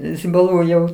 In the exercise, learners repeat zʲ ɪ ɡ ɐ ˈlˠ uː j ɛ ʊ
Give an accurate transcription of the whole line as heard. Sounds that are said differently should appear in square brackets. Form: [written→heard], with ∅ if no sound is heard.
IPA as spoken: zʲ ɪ [ɡ→b] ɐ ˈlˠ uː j ɛ ʊ